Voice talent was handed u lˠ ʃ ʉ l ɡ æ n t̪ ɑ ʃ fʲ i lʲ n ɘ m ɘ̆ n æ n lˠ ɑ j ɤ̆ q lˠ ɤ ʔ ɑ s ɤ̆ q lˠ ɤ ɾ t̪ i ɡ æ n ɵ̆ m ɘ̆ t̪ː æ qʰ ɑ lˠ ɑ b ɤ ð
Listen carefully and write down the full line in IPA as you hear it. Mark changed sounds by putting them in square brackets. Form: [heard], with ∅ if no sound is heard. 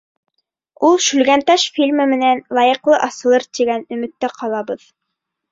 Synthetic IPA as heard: u lˠ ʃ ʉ l ɡ æ n t̪ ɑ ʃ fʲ i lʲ [m] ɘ m ɘ̆ n æ n lˠ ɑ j ɤ̆ q lˠ ɤ ʔ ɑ s ɤ̆ [∅] lˠ ɤ ɾ t̪ i ɡ æ n ɵ̆ m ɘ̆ t̪ː æ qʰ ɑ lˠ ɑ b ɤ ð

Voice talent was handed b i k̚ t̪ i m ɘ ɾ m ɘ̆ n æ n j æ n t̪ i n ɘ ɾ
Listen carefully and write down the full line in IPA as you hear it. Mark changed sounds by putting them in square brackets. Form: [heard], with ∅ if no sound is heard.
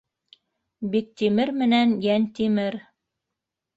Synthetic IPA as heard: b i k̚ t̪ i m ɘ ɾ m ɘ̆ n æ n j æ n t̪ i [m] ɘ ɾ

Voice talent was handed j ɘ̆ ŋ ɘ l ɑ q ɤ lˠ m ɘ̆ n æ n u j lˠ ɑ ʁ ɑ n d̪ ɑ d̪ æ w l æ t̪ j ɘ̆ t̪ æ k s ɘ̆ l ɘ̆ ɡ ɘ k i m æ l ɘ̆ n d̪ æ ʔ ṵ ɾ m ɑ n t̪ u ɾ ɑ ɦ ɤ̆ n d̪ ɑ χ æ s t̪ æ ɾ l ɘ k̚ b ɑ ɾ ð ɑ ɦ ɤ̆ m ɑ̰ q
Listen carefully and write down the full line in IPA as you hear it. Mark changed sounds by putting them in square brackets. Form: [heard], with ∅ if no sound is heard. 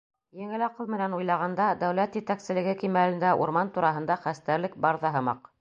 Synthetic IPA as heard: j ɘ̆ ŋ ɘ l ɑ q ɤ lˠ m ɘ̆ n æ n u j lˠ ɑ ʁ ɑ n d̪ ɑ d̪ æ w l æ t̪ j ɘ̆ t̪ æ k s ɘ̆ l ɘ̆ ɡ ɘ k i m æ l ɘ̆ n d̪ æ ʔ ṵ ɾ m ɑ n t̪ u ɾ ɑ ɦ ɤ̆ n d̪ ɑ χ æ s t̪ æ ɾ l ɘ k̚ b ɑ ɾ ð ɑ ɦ ɤ̆ m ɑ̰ q

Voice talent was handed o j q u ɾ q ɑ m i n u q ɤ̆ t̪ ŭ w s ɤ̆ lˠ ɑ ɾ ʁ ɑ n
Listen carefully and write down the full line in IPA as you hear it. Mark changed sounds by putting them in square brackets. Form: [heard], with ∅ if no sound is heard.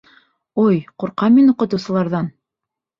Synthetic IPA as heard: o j q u ɾ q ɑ m i n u q ɤ̆ t̪ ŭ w s ɤ̆ lˠ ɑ ɾ [ð] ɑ n

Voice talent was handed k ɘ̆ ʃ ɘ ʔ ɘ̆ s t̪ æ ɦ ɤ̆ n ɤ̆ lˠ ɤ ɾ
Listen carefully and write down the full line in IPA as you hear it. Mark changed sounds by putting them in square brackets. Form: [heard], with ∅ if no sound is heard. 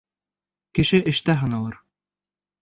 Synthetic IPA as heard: k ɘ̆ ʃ ɘ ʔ ɘ̆ [ʃ] t̪ æ ɦ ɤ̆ n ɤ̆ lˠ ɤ ɾ

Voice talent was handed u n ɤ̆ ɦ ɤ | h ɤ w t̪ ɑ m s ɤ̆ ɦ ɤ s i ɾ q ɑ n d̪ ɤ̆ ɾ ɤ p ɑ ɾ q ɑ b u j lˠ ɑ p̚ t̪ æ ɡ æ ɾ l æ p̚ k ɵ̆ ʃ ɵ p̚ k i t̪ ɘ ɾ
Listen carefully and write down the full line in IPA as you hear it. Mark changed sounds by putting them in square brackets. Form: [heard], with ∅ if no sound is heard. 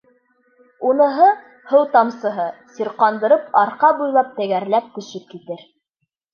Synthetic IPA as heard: u n ɤ̆ ɦ ɤ | h ɤ w t̪ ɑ m s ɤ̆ ɦ ɤ s i ɾ q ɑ n d̪ ɤ̆ ɾ ɤ p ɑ ɾ q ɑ b u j lˠ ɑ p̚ t̪ æ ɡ æ ɾ l æ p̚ k ɵ̆ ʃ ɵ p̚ k i t̪ ɘ ɾ

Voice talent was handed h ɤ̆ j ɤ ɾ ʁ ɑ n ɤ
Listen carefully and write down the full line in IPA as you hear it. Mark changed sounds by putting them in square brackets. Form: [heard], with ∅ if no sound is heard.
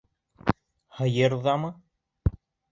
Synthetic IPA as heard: h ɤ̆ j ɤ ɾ [ð] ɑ [m] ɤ

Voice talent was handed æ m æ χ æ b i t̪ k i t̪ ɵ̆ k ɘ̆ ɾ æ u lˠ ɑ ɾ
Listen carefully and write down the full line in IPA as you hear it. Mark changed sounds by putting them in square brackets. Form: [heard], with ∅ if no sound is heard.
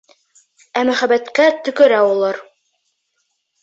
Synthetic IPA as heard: æ m æ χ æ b [æ] t̪ k [æ] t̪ ɵ̆ k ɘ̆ ɾ æ u lˠ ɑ ɾ

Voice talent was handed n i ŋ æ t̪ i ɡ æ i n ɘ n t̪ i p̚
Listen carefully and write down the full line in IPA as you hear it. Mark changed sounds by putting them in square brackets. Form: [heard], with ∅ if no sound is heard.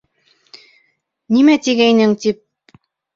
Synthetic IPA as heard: n i [m] æ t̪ i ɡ æ [j] n ɘ [ŋ] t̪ i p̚

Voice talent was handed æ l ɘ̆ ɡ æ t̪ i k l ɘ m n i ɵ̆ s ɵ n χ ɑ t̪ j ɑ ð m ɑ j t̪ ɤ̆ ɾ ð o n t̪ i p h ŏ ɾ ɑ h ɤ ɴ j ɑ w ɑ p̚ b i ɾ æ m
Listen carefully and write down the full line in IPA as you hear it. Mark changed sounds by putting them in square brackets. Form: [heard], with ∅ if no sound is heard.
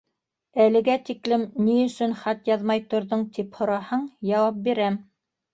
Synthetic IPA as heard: æ l ɘ̆ ɡ æ t̪ i k l ɘ m n i ɵ̆ s ɵ n χ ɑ t̪ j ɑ ð m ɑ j t̪ [ŏ] ɾ ð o [ɴ] t̪ i p h ŏ ɾ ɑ h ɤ ɴ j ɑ w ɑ p̚ b i ɾ æ m

